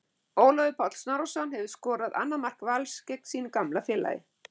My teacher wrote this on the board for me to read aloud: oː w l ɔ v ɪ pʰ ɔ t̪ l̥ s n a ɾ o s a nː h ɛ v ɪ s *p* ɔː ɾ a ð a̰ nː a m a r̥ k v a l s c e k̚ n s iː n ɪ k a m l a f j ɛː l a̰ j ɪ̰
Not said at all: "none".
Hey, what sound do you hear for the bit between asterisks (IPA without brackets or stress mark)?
k